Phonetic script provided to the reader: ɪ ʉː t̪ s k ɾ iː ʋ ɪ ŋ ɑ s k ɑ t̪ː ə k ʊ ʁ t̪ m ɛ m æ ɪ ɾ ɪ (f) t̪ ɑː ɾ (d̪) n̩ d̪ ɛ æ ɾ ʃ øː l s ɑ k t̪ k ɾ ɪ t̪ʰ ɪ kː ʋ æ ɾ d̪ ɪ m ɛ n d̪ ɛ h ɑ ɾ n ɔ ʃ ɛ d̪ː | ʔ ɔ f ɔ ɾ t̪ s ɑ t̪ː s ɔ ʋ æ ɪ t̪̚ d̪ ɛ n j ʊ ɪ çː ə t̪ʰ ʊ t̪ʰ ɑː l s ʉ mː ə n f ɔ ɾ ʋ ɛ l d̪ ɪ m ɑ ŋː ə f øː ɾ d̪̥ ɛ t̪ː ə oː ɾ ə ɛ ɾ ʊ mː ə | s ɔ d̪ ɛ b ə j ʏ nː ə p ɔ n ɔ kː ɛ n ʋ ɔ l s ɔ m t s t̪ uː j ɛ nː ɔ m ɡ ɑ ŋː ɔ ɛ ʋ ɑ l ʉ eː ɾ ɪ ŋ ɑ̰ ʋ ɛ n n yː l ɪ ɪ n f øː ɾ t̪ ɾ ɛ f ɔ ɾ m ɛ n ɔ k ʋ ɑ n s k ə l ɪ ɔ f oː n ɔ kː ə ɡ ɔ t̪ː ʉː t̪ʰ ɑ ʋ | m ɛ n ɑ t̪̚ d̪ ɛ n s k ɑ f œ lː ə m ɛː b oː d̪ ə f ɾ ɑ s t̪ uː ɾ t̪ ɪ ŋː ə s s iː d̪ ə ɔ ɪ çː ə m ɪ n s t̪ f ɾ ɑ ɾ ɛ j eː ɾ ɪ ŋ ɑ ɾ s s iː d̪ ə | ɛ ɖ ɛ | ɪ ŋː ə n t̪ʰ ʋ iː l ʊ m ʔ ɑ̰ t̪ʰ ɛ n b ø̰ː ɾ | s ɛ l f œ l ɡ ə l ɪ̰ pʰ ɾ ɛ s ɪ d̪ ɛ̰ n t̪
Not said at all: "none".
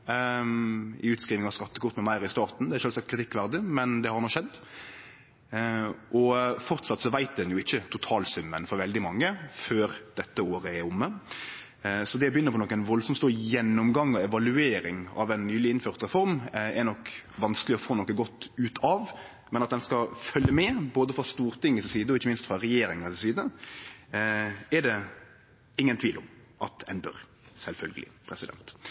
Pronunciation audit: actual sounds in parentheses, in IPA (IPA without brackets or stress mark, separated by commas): s, t̪